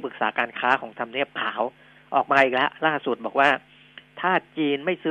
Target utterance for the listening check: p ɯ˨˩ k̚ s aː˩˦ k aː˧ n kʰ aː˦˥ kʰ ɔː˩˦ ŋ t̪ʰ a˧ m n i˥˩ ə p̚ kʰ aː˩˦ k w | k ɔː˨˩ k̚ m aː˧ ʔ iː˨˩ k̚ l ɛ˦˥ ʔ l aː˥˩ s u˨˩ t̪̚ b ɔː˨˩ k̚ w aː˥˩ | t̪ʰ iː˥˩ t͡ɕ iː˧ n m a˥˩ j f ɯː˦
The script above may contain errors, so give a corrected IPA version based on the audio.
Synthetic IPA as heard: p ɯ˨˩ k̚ s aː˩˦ k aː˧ n kʰ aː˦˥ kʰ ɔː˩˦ ŋ t̪ʰ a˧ m n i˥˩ ə p̚ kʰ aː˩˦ w | ʔ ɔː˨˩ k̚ m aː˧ ʔ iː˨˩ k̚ l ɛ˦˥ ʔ l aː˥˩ s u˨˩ t̪̚ b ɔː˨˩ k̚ w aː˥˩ | t̪ʰ aː˥˩ t͡ɕ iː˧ n m a˥˩ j s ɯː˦